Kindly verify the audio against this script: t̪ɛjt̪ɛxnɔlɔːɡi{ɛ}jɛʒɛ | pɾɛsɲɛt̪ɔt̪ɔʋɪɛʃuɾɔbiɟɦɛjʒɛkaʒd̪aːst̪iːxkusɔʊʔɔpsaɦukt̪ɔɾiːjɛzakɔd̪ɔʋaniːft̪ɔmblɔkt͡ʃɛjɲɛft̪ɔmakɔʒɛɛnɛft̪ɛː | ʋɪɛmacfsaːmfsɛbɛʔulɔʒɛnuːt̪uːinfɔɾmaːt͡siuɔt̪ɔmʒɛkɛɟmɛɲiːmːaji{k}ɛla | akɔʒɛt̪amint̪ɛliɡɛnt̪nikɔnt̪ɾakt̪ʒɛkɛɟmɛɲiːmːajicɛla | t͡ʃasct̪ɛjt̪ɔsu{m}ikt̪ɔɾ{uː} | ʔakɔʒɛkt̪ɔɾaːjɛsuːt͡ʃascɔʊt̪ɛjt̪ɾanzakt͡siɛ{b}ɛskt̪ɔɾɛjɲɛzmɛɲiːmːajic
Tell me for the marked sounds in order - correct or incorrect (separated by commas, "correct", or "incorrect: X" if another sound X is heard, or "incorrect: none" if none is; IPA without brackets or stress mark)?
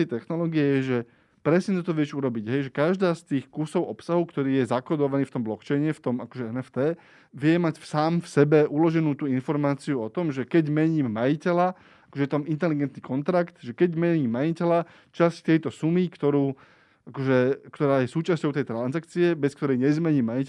correct, incorrect: c, correct, correct, correct